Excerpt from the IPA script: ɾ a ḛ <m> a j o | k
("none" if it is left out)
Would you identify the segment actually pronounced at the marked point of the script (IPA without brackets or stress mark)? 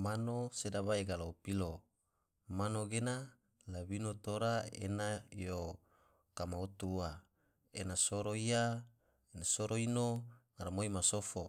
n